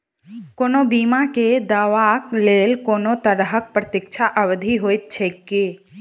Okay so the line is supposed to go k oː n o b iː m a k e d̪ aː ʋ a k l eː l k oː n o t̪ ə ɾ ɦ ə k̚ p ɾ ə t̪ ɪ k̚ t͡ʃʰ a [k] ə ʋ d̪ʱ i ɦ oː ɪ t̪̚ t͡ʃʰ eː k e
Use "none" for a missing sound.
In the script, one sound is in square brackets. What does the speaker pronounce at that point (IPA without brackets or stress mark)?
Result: ʔ